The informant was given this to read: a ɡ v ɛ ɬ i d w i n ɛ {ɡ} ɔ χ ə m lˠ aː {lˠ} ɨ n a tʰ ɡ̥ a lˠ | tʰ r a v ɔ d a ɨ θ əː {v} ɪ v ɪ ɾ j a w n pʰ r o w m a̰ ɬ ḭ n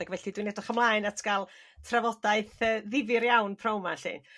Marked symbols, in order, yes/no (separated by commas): no, no, no